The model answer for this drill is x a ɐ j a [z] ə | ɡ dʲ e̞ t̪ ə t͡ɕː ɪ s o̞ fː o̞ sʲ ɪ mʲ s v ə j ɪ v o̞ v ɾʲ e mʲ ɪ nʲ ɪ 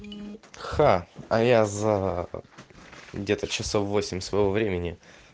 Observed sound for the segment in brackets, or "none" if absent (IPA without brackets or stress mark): z